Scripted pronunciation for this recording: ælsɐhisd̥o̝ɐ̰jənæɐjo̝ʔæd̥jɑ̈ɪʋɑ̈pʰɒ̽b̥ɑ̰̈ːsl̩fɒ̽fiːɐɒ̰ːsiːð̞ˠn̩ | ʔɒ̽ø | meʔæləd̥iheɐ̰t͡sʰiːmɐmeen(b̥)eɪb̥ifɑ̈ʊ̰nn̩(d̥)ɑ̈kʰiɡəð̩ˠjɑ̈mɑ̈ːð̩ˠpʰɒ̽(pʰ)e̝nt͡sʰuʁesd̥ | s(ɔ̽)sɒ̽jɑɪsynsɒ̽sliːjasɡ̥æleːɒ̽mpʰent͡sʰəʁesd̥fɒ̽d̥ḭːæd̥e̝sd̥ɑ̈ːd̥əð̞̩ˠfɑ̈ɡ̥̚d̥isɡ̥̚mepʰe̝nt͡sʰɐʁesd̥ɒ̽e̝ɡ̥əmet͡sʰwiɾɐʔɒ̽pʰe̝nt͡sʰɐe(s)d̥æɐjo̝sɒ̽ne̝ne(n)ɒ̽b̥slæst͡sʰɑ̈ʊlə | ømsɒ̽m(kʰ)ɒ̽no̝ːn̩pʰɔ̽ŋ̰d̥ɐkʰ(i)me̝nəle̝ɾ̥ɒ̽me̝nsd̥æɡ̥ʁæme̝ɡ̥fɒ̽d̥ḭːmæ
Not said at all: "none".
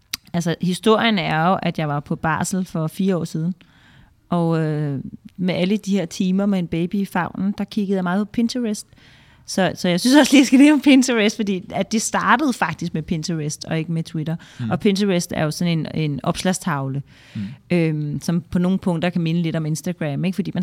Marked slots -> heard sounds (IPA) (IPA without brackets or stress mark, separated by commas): b̥, d̥, pʰ, ɒ̽, s, n, pʰ, æ